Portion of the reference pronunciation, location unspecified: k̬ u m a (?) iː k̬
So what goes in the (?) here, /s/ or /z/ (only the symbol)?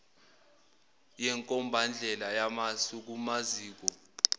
z